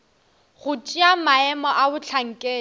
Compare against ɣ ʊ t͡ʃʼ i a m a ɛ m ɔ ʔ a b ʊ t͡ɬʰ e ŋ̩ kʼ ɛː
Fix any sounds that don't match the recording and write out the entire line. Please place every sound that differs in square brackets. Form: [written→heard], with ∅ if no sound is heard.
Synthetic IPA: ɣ ʊ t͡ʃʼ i a m a ɛ m ɔ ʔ a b ʊ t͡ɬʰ [e→a] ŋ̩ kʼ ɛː